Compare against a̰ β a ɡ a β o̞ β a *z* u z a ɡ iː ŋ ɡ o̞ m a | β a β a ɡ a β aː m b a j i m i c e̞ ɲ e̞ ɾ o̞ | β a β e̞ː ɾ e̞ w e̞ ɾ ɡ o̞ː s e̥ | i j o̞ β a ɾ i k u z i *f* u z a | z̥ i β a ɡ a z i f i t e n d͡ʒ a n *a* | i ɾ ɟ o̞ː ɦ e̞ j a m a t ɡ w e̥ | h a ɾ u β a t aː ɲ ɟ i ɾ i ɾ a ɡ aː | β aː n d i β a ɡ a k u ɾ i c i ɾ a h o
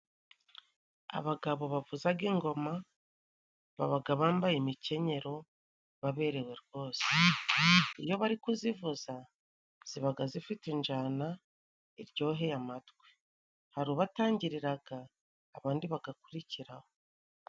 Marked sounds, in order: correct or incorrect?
incorrect, incorrect, correct

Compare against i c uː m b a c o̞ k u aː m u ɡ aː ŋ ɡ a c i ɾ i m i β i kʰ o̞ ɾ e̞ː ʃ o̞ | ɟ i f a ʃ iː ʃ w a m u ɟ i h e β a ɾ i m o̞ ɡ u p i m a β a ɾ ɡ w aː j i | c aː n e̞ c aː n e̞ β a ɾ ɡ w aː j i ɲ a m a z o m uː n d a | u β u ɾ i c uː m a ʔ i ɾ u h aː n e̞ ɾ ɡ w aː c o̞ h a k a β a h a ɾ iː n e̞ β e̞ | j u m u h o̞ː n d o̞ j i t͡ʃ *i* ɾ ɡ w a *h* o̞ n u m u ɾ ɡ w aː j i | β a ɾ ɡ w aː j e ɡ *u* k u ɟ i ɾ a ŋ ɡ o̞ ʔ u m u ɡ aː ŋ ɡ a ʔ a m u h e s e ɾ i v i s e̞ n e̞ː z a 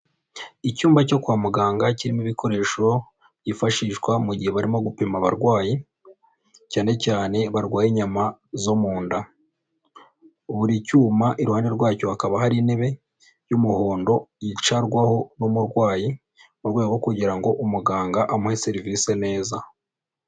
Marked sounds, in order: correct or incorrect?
incorrect, correct, incorrect

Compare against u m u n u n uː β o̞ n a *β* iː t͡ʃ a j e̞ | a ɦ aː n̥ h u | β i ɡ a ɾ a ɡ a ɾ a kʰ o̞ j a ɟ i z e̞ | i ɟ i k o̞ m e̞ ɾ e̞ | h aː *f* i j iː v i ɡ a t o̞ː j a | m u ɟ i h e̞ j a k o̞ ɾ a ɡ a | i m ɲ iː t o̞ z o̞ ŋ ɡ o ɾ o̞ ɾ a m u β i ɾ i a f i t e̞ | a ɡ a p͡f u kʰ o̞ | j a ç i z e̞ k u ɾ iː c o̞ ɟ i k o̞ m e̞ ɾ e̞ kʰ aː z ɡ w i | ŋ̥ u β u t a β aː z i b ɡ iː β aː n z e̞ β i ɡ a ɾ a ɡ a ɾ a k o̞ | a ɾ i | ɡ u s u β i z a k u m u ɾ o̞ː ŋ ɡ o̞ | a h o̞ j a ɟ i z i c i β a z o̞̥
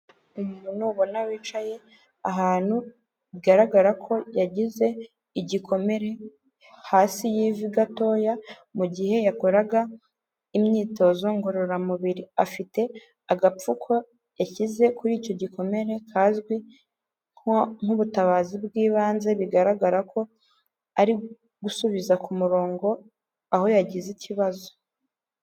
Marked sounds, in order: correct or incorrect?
incorrect, incorrect

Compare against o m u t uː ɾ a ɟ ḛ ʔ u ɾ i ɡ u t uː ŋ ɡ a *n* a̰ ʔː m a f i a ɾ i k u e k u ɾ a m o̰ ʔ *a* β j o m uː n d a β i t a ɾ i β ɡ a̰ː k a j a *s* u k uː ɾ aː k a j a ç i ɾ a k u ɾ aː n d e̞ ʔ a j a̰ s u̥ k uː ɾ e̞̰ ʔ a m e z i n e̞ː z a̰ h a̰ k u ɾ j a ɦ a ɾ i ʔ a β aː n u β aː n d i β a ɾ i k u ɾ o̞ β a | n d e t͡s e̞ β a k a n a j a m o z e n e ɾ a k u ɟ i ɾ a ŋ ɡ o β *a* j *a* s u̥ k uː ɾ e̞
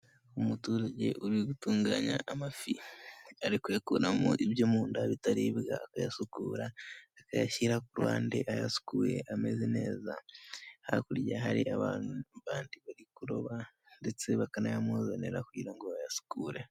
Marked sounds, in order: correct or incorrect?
incorrect, incorrect, correct, correct, correct

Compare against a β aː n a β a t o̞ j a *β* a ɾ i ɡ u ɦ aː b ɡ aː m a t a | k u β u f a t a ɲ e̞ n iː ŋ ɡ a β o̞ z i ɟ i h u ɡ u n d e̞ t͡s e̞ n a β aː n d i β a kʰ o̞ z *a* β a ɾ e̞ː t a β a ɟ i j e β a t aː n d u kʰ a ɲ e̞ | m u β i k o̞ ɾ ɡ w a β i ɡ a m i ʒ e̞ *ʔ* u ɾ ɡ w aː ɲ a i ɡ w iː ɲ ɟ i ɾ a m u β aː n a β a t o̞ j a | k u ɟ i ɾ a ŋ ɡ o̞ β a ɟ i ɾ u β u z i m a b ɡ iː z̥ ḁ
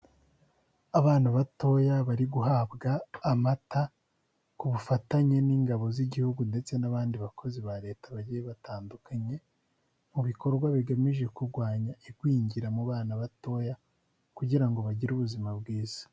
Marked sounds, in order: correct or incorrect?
correct, incorrect, incorrect

